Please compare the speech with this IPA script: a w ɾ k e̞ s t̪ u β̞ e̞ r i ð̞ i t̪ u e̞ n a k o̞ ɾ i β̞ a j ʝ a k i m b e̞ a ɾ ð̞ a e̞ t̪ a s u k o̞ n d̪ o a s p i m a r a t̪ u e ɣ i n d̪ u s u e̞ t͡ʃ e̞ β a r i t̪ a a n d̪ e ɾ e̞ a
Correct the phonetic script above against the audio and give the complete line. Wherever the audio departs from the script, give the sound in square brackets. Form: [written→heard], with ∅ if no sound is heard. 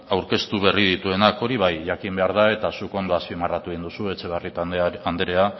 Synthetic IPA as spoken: a w ɾ k e̞ s t̪ u β̞ e̞ r i ð̞ i t̪ u e̞ n a k o̞ ɾ i β̞ a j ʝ a k i m b e̞ a ɾ ð̞ a e̞ t̪ a s u k o̞ n d̪ o a s p i m a r a t̪ u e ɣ i n d̪ u s u e̞ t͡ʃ e̞ β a r i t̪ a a n d̪ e ɾ e̞ a